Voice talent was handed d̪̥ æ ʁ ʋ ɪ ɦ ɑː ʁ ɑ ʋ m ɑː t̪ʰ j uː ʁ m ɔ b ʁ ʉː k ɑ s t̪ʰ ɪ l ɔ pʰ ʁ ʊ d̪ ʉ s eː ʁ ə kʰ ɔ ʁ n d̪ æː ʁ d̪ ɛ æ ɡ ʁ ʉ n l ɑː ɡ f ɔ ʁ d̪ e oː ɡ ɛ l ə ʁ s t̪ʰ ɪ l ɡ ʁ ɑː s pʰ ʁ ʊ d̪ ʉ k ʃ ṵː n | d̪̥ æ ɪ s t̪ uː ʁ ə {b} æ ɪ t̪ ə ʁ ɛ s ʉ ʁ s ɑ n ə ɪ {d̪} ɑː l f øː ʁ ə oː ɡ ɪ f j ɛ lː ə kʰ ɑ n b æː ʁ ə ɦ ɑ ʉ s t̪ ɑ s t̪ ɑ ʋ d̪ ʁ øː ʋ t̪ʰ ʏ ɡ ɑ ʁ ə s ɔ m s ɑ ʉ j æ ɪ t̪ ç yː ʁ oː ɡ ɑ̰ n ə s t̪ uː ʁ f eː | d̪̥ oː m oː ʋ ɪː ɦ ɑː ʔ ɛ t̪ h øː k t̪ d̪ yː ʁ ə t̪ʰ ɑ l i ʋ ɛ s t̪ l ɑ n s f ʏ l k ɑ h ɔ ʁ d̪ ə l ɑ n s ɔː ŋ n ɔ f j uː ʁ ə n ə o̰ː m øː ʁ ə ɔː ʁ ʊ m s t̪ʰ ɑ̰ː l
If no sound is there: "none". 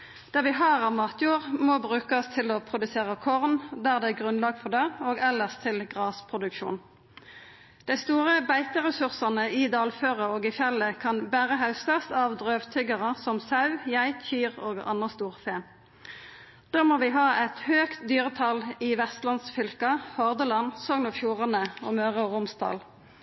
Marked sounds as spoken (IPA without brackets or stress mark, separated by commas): b, d̪